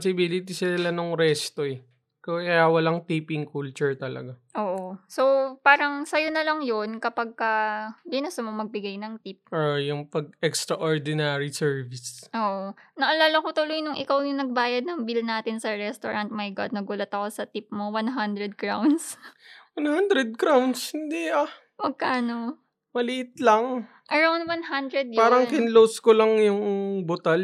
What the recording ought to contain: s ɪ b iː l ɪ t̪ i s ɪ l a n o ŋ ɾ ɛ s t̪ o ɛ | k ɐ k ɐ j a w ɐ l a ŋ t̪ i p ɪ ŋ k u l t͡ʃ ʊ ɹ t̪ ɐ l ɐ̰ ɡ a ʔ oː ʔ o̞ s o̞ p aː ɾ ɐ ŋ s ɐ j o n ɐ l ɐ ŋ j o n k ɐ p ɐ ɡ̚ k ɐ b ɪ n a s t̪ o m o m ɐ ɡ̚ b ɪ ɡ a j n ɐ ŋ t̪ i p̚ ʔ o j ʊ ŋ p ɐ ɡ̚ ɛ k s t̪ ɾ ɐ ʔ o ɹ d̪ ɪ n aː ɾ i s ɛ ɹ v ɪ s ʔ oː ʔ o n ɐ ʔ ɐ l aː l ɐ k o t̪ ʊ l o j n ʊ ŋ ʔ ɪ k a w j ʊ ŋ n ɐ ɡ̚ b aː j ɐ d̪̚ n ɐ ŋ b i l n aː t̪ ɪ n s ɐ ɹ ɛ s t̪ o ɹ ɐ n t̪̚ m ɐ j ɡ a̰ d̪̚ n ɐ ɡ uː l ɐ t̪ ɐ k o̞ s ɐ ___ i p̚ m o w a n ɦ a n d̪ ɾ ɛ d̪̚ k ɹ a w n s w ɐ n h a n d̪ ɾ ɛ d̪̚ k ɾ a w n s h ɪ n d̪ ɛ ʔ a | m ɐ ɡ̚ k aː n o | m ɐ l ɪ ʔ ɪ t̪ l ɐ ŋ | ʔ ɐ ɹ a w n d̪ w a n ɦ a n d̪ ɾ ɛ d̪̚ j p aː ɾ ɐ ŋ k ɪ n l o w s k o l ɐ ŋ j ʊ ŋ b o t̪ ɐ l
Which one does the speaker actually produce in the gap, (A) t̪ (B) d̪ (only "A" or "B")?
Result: A